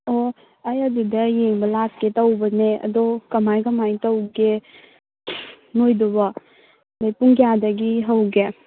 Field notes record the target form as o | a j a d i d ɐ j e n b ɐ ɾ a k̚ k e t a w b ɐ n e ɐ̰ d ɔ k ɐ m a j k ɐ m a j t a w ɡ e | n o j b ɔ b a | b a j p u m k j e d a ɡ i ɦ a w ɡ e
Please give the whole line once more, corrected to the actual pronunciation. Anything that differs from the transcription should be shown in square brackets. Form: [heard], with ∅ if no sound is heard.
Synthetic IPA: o | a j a d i d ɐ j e [ŋ] b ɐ [l] a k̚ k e t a w b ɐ n e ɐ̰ d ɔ k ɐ m a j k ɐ m a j t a w ɡ e | n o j [d] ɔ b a | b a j p u [ŋ] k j [a] d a ɡ i ɦ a w ɡ e